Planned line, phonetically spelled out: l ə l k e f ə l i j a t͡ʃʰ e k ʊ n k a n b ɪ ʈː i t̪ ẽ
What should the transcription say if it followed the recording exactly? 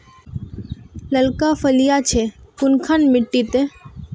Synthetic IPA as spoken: l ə l k a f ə l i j a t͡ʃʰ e k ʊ n kʰ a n m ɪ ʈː i t̪ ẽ